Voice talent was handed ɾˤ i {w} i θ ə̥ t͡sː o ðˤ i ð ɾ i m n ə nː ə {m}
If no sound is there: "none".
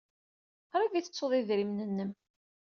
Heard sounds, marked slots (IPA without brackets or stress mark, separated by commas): v, m